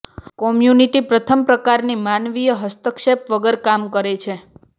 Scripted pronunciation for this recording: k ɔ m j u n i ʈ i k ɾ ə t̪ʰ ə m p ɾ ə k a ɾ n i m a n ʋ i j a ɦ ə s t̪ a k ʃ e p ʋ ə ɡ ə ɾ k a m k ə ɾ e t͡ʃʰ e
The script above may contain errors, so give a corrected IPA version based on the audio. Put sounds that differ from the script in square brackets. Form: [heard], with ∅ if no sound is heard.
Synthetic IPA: k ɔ m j u n i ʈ i [p] ɾ ə t̪ʰ ə m p ɾ ə k a ɾ n i m a n ʋ i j [ə] ɦ ə s t̪ [ə] k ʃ e p ʋ ə ɡ ə ɾ k a m k ə ɾ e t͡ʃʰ e